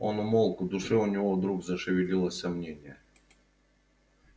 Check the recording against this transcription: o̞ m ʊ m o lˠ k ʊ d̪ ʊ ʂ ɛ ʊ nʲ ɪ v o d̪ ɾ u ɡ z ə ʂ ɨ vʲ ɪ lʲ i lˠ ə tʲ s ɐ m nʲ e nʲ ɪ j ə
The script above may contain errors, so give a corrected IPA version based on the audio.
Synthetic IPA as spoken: o̞ n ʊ m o lˠ k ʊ d̪ ʊ ʂ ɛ ʊ nʲ ɪ v o d̪ ɾ u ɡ z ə ʂ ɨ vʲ ɪ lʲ i lˠ ə sʲ s ɐ m nʲ e nʲ ɪ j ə